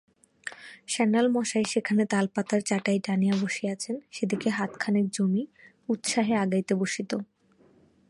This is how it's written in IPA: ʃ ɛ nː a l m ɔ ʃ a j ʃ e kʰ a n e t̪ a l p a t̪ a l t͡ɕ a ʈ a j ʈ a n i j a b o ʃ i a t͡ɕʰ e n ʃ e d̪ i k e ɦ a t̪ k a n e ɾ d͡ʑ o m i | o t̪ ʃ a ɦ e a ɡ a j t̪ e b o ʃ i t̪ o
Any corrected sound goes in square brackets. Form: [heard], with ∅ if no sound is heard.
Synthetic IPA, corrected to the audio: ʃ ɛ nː a l m ɔ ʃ a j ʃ e kʰ a n e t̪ a l p a t̪ a [ɾ] t͡ɕ a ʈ a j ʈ a n i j a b o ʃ i a t͡ɕʰ e n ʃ e d̪ i k e ɦ a t̪ [kʰ] a n e ɾ d͡ʑ o m i | [u] t̪ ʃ a ɦ e a ɡ a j t̪ e b o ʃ i t̪ o